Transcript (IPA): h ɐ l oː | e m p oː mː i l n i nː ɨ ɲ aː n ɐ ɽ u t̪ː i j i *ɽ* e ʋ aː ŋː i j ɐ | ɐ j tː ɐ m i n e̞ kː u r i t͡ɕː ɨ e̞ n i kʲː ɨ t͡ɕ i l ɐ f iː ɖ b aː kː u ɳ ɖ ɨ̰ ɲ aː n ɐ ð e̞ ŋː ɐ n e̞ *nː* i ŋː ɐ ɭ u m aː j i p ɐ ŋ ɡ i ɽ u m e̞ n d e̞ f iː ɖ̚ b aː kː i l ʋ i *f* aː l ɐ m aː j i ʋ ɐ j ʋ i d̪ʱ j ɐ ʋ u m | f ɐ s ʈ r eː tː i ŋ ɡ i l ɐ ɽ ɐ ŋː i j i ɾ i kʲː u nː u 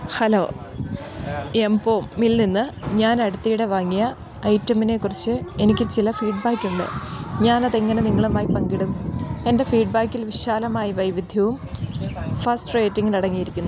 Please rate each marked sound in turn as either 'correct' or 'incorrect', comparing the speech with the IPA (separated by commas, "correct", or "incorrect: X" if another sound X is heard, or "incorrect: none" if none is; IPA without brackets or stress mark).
correct, incorrect: n, incorrect: ɕ